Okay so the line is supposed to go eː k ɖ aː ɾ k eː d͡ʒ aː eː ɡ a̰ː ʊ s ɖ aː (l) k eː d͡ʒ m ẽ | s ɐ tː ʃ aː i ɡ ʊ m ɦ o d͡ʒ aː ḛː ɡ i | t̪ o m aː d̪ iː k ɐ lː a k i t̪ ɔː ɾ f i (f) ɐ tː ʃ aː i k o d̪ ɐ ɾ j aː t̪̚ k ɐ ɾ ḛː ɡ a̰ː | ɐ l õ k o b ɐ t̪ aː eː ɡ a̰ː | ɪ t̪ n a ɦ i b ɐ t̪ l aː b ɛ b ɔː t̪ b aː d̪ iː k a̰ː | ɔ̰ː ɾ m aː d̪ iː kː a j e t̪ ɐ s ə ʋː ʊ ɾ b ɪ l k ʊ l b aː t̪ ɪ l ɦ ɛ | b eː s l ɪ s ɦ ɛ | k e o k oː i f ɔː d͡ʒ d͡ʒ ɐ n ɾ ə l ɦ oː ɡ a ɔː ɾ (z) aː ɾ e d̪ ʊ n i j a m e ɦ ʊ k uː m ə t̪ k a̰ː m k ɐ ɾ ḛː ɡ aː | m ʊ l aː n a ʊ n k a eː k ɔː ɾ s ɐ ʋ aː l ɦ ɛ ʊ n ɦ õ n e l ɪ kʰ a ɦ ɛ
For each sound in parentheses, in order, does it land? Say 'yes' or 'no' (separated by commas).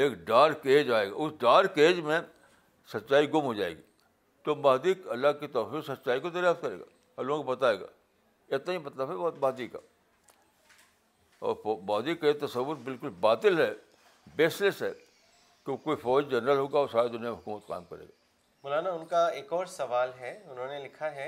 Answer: no, no, no